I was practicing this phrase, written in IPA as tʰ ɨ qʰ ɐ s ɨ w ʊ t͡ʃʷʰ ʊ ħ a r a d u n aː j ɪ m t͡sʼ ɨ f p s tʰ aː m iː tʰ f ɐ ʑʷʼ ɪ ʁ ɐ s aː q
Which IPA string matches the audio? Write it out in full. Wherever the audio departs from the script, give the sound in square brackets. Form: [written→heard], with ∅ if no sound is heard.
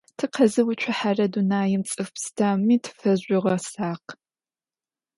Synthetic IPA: tʰ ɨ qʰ ɐ [s→z] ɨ w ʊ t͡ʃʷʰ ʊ ħ a r [a→ɐ] d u n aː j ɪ m t͡sʼ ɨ f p s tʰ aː m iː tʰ f ɐ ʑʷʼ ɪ ʁ ɐ s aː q